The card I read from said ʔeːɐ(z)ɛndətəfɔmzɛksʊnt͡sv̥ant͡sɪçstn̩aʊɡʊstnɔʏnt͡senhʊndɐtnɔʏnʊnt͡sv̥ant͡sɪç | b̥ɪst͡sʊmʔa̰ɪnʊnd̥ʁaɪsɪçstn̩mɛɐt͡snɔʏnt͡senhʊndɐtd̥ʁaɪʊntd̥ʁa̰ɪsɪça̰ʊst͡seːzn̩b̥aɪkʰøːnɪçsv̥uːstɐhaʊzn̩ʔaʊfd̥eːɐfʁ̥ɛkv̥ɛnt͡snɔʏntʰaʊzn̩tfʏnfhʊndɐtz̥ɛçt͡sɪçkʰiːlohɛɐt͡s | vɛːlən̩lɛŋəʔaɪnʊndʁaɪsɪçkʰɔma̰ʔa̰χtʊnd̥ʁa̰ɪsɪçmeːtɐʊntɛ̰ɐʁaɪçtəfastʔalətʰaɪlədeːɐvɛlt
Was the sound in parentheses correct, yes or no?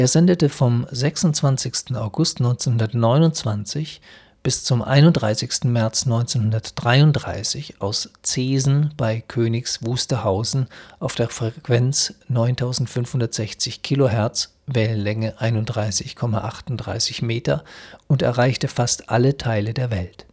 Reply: yes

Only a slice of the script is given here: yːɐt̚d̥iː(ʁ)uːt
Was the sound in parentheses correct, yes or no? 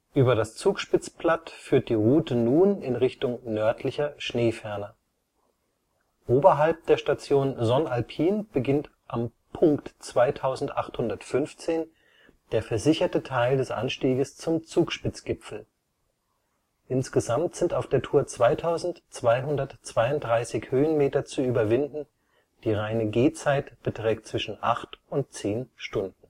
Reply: yes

